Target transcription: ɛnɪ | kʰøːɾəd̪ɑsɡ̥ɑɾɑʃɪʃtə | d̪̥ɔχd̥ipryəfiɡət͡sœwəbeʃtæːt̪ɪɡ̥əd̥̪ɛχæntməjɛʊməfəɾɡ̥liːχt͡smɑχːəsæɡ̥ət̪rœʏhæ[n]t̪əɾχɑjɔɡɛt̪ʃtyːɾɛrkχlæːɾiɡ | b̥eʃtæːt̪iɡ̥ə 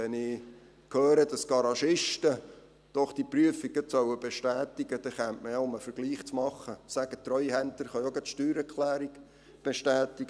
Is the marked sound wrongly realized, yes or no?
no